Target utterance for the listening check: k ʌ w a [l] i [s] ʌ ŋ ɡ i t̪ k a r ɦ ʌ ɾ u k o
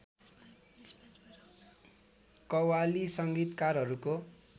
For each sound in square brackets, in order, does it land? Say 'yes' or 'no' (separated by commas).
yes, yes